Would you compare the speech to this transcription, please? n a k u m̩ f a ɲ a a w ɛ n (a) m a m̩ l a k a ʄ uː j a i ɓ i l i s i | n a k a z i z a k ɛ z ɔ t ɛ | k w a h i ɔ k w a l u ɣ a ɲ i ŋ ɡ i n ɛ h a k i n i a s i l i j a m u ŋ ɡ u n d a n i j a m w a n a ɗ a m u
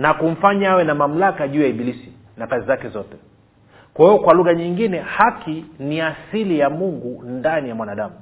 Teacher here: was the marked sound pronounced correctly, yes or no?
yes